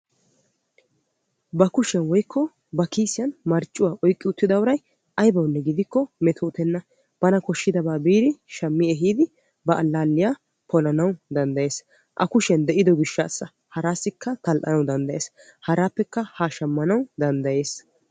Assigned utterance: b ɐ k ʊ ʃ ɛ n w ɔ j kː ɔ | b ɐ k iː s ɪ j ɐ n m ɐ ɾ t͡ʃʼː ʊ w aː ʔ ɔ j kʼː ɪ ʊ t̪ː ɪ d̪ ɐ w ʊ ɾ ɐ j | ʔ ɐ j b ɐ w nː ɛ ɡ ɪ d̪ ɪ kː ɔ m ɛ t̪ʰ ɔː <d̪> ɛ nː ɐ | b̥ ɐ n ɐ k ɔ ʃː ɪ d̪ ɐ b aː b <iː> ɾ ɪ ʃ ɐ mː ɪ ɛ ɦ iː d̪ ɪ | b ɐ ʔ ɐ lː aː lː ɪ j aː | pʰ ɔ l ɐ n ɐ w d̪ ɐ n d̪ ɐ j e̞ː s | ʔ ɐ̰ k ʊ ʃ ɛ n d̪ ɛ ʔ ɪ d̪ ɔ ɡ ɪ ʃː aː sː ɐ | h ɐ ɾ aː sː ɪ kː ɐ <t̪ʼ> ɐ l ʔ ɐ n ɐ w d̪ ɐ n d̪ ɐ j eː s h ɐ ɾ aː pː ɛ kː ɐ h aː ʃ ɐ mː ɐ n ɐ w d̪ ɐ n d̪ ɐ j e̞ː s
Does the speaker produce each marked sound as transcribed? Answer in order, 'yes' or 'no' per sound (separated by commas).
no, yes, no